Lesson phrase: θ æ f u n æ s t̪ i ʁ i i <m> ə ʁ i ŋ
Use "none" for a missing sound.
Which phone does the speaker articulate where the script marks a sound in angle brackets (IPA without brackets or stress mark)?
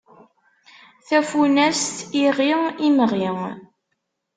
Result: m